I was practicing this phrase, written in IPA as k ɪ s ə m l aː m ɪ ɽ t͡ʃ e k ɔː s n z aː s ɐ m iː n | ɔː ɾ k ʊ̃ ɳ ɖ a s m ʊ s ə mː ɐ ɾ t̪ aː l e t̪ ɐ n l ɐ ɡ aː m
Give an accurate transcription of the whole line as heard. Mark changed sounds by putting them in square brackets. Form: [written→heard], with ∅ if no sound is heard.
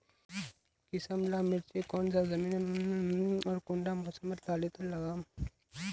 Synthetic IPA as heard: k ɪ s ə m l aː m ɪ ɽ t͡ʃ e k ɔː [s→∅] n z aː [s→z] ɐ m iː n | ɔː ɾ k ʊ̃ ɳ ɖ a [s→∅] m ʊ s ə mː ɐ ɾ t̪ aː l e t̪ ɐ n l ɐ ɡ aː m